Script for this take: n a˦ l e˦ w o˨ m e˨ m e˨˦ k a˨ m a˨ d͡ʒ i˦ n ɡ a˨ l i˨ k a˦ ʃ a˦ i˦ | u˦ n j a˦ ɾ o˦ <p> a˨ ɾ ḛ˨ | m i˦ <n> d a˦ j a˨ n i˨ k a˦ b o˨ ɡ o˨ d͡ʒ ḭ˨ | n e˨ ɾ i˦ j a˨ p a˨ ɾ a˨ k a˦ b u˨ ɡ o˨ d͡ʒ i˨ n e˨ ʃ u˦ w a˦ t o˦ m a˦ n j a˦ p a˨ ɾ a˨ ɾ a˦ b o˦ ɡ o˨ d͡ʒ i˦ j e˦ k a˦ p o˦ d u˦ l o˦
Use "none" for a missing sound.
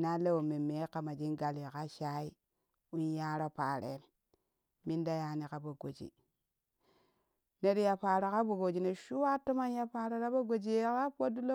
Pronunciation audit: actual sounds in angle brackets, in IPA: p, n

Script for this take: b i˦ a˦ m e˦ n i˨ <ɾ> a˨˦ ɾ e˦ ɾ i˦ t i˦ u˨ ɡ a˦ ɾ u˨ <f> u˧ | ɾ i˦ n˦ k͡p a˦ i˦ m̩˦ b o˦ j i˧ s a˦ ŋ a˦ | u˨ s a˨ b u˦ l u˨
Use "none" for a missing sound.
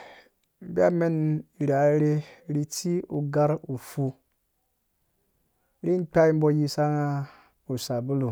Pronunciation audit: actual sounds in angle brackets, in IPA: ɾ, f

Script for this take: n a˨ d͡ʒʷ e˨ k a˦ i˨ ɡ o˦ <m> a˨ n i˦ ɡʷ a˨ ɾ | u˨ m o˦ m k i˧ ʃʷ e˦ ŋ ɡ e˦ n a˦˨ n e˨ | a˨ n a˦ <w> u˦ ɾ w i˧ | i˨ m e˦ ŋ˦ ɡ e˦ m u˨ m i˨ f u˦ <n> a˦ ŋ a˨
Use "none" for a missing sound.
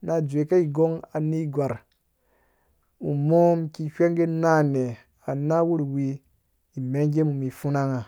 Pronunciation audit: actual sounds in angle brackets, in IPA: ŋ, w, n

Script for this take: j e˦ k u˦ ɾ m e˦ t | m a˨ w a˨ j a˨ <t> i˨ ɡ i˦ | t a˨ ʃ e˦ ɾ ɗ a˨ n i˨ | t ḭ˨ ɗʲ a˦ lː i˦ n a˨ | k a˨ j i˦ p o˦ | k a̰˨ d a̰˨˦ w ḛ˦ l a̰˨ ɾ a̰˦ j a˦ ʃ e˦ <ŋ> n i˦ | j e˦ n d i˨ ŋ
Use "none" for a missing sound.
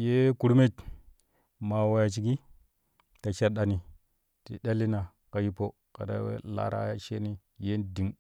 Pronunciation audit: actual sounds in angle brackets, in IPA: t͡ʃ, none

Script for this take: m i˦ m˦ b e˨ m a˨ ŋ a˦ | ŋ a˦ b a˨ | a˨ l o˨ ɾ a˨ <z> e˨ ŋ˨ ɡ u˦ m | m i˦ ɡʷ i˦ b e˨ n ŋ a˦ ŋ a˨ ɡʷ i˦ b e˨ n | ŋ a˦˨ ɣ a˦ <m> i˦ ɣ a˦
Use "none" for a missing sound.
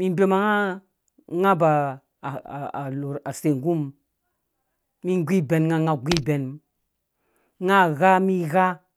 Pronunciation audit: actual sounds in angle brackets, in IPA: s, m

